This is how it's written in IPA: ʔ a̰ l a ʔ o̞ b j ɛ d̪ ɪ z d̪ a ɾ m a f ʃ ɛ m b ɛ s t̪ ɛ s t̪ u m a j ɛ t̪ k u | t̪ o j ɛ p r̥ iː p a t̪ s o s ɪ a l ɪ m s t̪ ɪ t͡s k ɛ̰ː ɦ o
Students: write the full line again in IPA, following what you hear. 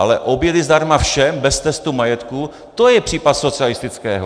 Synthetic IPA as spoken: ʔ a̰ l ɛ ʔ o̞ b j ɛ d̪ ɪ z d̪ a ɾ m a f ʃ ɛ m b ɛ s t̪ ɛ s t̪ u m a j ɛ t̪ k u | t̪ o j ɛ p r̥ iː p a t̪ s o t͡s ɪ a l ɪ s t̪ ɪ t͡s k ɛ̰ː ɦ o